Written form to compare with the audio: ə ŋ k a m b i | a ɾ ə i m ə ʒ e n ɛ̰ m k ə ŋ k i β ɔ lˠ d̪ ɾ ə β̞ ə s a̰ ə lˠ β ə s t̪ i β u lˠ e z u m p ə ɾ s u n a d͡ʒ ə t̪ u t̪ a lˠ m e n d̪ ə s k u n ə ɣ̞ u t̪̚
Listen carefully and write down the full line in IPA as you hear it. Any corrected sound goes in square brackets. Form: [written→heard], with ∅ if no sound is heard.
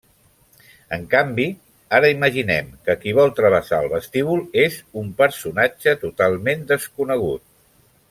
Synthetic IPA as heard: ə ŋ k a m b i | a ɾ ə i m ə ʒ [e→i] n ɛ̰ m k ə [ŋ→∅] k i β ɔ lˠ [d̪→t̪] ɾ ə β̞ ə s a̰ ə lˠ β ə s t̪ i β u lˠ e z u m p ə ɾ s u n a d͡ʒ ə t̪ u t̪ a lˠ m e n d̪ ə s k u n ə ɣ̞ u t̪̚